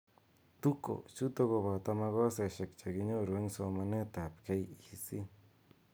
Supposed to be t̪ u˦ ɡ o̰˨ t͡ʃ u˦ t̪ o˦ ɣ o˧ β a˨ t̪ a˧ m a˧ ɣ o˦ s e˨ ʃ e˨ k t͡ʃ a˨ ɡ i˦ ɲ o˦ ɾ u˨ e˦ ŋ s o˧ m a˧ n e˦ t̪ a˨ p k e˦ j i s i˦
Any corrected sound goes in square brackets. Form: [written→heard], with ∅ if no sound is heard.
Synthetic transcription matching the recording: t̪ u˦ [ɡ→k] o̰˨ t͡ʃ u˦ t̪ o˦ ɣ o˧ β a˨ t̪ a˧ m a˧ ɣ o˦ s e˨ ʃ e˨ k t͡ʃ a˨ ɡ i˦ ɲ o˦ ɾ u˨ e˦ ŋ s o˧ m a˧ n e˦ t̪ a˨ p k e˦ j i s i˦